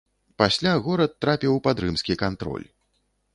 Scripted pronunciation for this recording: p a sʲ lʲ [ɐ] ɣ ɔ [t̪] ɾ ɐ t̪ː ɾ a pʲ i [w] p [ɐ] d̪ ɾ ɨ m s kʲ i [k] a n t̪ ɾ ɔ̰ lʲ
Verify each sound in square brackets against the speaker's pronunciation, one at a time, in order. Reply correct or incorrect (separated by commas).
incorrect, incorrect, correct, incorrect, correct